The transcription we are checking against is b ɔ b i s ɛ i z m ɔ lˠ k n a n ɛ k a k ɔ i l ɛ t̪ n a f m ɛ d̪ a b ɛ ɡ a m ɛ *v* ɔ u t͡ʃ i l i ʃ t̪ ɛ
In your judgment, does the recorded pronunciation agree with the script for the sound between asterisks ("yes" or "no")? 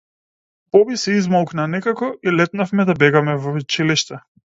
yes